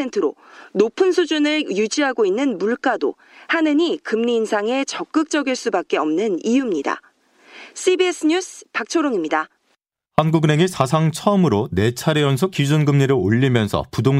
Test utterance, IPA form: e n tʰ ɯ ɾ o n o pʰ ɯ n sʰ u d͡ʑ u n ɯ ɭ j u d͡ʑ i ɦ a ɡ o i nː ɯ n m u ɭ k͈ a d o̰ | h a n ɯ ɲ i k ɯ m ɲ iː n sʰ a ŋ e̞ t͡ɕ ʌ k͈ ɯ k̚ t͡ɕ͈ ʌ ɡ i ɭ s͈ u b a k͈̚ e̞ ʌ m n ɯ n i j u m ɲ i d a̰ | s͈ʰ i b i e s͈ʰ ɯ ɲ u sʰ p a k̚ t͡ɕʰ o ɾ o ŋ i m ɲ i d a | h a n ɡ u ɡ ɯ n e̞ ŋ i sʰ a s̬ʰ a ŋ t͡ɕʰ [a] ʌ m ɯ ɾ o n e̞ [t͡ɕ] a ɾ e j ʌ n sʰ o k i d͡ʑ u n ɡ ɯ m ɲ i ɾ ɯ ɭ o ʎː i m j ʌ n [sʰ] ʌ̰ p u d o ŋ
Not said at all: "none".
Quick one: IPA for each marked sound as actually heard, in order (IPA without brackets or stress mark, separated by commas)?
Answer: ʌ, t͡ɕʰ, sʰ